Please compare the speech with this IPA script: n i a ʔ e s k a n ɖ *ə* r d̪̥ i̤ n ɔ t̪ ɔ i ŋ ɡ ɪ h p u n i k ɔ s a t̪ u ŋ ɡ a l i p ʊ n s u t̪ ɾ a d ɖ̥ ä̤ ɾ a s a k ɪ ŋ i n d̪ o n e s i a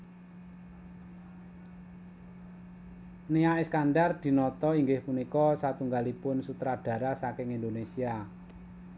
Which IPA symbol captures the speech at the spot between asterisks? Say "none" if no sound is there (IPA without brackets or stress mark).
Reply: a